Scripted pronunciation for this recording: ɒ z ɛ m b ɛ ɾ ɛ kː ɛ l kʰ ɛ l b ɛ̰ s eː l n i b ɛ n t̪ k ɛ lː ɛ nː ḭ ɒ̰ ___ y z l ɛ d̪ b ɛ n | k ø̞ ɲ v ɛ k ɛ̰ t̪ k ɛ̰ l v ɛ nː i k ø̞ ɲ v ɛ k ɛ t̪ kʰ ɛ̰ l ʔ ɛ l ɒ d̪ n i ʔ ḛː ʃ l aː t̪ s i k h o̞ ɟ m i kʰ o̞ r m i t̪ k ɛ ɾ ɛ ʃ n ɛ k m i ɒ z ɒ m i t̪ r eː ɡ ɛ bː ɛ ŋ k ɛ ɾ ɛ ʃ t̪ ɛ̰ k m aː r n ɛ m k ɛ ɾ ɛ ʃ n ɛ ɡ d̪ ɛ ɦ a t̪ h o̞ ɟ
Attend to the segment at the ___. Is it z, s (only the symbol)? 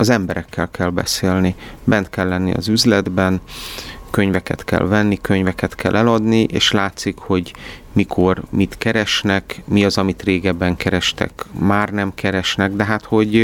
z